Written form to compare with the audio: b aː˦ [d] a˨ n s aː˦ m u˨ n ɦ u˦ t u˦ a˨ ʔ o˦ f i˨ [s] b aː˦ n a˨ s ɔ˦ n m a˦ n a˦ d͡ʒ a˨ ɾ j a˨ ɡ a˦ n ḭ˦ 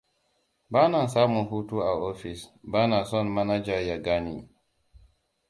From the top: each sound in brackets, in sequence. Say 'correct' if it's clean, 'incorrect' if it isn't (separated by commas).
incorrect, correct